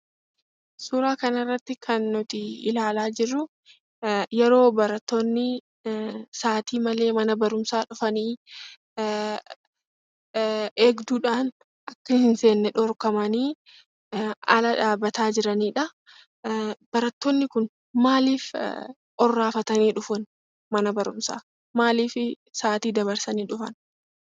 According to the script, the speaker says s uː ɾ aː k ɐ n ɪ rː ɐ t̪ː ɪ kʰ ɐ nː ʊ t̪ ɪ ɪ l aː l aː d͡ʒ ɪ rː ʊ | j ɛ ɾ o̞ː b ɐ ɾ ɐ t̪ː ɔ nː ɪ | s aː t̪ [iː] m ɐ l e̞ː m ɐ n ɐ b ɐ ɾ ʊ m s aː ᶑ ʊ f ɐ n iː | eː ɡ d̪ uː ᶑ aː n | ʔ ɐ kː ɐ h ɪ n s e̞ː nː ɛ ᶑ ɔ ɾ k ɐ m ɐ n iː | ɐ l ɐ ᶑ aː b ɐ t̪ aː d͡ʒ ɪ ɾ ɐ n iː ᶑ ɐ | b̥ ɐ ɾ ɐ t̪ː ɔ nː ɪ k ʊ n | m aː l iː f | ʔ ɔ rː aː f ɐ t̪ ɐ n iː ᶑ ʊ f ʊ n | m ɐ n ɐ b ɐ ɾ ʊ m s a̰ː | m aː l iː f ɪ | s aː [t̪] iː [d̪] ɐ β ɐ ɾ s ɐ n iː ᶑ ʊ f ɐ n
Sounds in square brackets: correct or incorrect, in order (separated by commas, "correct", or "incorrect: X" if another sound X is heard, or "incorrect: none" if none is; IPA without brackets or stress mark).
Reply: correct, correct, correct